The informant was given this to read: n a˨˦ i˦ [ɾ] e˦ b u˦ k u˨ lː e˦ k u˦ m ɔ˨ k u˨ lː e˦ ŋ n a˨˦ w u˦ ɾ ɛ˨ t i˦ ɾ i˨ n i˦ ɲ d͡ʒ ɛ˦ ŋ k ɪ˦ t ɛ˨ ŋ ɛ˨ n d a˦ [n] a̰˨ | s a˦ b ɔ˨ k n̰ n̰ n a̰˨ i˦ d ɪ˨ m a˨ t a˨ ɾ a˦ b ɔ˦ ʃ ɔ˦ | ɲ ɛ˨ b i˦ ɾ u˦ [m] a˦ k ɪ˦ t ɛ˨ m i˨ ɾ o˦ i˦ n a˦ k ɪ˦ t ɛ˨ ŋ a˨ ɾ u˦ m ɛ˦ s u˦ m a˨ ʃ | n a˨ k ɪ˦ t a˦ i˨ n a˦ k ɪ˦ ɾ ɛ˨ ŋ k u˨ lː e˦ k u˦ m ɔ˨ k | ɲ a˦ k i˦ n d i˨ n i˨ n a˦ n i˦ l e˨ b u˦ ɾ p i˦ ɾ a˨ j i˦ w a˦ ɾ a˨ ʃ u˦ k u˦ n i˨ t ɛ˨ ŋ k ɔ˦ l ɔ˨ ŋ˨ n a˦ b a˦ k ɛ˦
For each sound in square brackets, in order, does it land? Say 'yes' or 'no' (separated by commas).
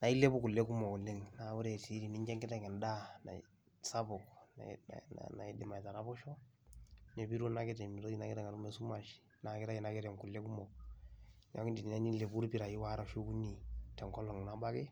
no, yes, no